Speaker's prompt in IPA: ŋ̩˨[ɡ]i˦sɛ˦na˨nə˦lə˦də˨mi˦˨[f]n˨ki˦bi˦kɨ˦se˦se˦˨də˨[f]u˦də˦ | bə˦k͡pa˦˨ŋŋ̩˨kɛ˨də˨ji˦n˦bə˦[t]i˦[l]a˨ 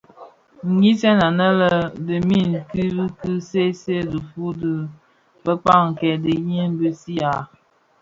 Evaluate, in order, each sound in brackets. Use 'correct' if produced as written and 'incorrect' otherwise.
correct, incorrect, correct, incorrect, incorrect

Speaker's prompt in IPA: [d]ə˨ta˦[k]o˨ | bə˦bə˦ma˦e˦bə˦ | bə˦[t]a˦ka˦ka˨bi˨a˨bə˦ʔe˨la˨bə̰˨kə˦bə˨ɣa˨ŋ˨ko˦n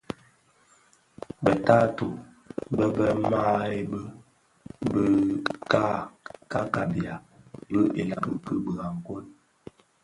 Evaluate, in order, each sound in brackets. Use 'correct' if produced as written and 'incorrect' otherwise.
incorrect, incorrect, incorrect

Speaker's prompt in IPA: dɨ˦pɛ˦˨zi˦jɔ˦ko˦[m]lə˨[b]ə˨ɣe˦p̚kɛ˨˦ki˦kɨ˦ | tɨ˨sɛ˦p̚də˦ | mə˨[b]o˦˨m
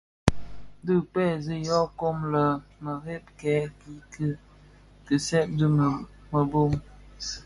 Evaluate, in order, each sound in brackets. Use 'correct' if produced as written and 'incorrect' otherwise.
correct, incorrect, correct

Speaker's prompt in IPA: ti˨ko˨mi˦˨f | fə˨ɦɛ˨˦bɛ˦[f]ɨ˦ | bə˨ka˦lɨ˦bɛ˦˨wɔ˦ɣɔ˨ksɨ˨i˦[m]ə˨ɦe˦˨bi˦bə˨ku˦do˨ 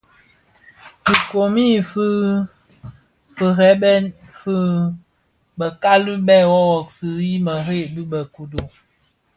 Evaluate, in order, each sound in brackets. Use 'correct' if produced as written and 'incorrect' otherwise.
correct, correct

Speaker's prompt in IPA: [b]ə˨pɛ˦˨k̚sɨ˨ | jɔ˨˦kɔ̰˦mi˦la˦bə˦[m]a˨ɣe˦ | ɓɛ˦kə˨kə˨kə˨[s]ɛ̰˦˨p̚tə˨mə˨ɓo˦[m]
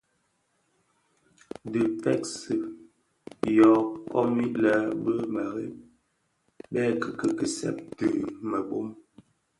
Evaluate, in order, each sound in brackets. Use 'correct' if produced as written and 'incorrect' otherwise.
incorrect, correct, correct, correct

